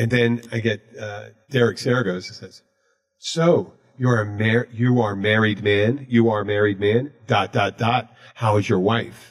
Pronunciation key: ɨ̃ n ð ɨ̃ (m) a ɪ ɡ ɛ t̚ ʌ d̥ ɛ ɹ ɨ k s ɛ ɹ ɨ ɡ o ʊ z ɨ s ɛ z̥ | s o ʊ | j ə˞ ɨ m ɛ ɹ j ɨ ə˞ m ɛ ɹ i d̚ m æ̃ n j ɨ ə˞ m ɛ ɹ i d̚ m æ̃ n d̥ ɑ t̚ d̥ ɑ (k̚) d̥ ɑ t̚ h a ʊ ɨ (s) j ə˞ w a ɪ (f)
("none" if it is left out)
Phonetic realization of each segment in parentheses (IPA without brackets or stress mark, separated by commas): n, t̚, z, f